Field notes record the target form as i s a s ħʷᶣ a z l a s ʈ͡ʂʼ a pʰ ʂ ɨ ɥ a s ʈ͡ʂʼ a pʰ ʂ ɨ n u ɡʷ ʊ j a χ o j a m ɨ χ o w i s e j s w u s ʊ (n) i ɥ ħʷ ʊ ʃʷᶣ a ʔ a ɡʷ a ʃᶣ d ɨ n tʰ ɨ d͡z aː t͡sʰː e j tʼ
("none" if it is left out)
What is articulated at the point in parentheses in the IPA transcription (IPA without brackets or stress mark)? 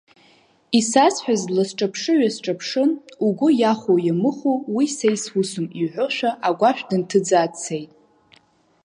m